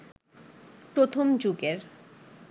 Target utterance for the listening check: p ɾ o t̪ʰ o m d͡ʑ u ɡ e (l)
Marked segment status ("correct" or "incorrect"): incorrect